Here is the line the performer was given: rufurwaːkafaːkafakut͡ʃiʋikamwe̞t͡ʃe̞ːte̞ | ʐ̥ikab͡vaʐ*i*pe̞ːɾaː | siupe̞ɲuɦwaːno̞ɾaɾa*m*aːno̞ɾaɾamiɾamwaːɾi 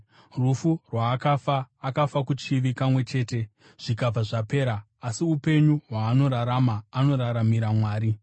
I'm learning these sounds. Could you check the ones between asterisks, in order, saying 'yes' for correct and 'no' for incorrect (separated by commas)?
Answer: no, yes